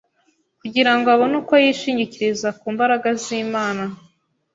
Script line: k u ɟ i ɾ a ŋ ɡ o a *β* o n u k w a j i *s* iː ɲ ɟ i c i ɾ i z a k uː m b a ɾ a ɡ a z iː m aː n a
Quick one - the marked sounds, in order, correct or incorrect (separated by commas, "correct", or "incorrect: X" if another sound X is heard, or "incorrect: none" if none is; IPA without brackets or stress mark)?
correct, incorrect: ʃ